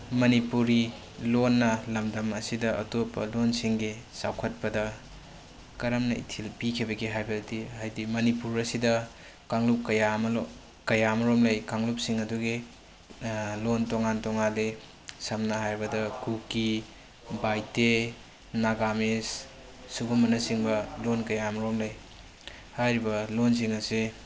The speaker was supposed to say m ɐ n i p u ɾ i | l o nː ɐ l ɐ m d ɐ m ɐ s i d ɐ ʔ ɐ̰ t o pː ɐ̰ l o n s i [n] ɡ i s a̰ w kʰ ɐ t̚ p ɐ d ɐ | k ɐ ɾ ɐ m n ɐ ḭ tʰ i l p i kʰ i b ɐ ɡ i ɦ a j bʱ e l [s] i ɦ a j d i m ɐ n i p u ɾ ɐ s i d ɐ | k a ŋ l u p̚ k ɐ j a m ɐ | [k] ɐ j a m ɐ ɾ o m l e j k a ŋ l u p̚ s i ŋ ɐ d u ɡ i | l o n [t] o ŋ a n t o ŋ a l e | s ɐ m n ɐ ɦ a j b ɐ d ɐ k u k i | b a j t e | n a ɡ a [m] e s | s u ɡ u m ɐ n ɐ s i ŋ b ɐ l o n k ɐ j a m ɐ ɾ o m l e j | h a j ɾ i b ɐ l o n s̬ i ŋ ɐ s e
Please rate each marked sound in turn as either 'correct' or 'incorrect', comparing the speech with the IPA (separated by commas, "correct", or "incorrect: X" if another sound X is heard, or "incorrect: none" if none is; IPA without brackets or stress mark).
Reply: incorrect: ŋ, incorrect: t, correct, correct, correct